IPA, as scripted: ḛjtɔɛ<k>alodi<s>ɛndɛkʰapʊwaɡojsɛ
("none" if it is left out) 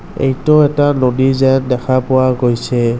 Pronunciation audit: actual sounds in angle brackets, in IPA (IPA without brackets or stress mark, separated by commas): t, z